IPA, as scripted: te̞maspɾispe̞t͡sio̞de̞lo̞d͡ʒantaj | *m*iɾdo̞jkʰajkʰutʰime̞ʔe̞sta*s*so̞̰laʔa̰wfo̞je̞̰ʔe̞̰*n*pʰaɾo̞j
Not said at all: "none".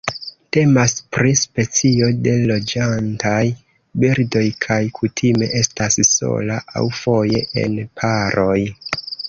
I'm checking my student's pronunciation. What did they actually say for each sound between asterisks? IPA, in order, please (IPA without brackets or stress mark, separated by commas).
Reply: b, s, n